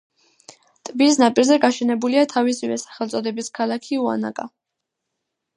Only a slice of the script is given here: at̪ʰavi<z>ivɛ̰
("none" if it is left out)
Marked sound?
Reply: s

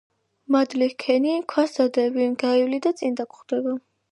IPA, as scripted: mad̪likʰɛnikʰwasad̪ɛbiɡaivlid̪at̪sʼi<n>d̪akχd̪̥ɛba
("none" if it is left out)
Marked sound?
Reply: n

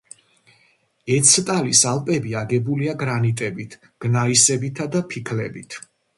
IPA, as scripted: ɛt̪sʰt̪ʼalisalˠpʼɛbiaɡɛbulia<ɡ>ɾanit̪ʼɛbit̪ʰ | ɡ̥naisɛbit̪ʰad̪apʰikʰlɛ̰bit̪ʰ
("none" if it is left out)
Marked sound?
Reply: ɡ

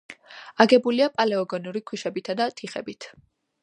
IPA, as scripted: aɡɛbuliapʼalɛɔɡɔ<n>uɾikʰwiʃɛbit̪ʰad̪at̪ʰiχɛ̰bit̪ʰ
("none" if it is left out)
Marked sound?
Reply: n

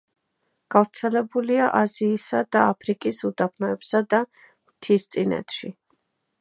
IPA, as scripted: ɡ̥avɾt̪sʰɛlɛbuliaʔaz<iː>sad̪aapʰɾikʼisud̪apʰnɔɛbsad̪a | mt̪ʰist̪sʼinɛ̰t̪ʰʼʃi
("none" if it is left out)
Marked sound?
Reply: iː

